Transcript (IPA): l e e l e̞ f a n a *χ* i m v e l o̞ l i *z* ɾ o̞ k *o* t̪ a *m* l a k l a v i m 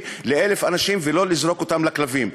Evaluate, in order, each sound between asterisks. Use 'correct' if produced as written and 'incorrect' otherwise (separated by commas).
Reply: incorrect, correct, correct, correct